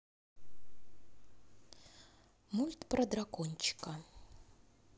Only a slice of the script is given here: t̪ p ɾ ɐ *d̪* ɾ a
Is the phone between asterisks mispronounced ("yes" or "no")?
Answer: no